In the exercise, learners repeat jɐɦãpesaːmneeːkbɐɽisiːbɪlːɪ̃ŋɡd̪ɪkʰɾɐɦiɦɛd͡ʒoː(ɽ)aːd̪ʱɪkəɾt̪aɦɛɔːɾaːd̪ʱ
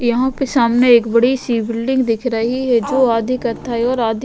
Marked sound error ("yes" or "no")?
yes